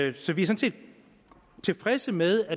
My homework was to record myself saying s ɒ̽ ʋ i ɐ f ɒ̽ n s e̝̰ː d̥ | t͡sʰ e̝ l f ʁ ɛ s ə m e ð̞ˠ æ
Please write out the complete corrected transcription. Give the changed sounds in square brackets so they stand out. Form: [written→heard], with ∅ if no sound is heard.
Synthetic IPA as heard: s ɒ̽ ʋ i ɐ [f→s] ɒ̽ n s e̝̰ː d̥ | t͡sʰ e̝ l f ʁ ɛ s ə m e ð̞ˠ æ